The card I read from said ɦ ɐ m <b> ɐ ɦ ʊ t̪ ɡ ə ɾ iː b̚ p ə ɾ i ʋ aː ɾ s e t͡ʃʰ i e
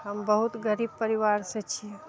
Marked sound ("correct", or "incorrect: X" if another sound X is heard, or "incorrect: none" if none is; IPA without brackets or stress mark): correct